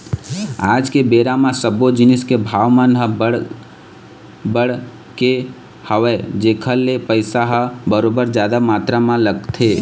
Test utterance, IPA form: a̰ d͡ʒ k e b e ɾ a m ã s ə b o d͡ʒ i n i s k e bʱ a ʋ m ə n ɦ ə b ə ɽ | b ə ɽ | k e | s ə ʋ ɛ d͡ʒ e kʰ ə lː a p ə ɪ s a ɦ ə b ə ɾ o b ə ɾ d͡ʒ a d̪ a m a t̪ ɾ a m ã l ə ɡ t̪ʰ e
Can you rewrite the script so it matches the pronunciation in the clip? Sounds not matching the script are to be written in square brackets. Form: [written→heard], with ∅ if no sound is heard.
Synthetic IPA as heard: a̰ d͡ʒ k e b e ɾ a m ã s ə b o d͡ʒ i n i s k e bʱ a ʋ m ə n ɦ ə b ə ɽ | b ə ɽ | k e | [s→h] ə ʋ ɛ d͡ʒ e kʰ ə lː [a→e] p ə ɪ s a ɦ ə b ə ɾ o b ə ɾ d͡ʒ a d̪ a m a t̪ ɾ a m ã l ə ɡ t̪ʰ e